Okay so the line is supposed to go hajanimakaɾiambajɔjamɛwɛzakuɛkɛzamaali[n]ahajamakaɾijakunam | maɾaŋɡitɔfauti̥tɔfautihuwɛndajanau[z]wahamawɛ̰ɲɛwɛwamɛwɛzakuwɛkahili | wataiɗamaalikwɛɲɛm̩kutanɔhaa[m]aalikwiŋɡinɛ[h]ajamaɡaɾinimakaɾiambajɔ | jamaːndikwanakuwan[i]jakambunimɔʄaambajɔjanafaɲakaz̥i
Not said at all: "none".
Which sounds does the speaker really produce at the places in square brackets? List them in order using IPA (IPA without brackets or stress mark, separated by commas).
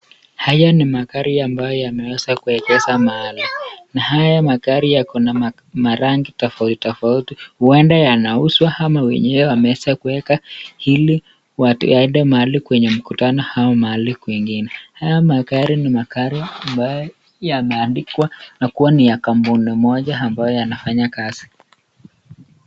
n, s, m, h, i